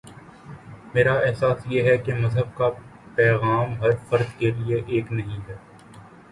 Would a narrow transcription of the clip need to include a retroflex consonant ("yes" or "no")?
no